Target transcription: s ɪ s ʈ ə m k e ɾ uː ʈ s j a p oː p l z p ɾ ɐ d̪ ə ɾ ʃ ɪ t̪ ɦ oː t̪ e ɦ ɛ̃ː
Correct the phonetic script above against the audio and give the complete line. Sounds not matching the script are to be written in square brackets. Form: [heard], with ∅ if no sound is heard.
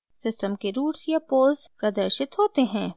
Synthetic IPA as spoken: s ɪ s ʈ ə m k e ɾ uː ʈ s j a p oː [∅] l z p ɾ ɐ d̪ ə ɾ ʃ ɪ t̪ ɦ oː t̪ e ɦ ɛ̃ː

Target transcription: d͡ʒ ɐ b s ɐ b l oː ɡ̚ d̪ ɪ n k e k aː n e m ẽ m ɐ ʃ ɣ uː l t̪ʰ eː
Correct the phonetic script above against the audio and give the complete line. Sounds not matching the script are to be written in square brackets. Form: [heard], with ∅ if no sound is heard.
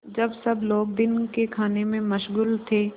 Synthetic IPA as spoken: d͡ʒ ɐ b s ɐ b l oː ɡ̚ d̪ ɪ n k e [kʰ] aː n e m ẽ m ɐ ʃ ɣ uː l t̪ʰ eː

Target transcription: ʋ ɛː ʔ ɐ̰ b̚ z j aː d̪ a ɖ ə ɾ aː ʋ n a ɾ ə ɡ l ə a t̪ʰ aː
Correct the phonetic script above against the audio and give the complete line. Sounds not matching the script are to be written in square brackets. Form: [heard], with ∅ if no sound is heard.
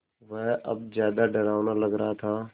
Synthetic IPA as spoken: ʋ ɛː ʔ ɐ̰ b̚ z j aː d̪ a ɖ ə ɾ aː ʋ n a [l] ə ɡ [ɾ] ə a t̪ʰ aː

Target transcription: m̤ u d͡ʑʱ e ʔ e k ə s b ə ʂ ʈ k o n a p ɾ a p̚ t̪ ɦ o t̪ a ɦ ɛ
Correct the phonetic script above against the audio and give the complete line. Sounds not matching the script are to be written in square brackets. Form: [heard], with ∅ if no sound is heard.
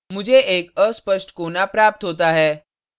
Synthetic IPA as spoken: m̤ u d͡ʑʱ e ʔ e k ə s [p] ə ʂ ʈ k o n a p ɾ a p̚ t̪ ɦ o t̪ a ɦ ɛ

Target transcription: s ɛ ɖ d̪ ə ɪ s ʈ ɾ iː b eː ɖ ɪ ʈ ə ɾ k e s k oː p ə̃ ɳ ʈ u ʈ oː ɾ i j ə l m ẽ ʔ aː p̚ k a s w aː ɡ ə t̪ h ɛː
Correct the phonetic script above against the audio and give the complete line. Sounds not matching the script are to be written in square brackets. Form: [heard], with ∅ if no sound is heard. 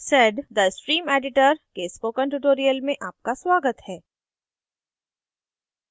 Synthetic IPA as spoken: s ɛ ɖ d̪ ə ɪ s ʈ ɾ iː [m] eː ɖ ɪ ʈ ə ɾ k e s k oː [k] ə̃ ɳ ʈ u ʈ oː ɾ i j ə l m ẽ ʔ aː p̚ k a s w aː ɡ ə t̪ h ɛː

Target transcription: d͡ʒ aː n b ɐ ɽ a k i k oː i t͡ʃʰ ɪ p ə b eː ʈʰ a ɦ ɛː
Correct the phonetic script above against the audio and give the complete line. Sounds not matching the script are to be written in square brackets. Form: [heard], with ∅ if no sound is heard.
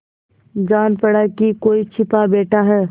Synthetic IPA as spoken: d͡ʒ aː n [p] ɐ ɽ a k i k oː i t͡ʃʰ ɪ p [a] b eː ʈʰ a ɦ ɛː

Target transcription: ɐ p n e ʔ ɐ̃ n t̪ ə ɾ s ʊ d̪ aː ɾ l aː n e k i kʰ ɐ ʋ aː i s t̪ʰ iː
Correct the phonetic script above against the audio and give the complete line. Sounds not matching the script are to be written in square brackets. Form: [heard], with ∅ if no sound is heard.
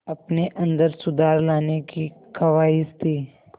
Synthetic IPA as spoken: ɐ p n e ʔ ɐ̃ n [d̪] ə ɾ s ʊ d̪ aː ɾ l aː n e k i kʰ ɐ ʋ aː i s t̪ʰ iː

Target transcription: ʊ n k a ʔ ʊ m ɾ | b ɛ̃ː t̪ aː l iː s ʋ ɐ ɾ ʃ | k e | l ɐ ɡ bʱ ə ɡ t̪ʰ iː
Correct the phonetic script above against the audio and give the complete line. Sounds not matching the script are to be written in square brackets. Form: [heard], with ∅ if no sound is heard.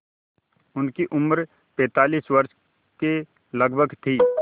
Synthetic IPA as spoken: ʊ n k [i] ʔ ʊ m ɾ | [p] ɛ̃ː t̪ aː l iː s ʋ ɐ ɾ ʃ | k e | l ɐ ɡ bʱ ə ɡ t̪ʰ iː

